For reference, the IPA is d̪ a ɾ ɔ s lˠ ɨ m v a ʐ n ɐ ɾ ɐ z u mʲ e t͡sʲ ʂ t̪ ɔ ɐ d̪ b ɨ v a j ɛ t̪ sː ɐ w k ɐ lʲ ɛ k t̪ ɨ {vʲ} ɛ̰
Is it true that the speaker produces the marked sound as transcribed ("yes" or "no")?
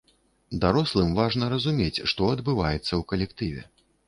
yes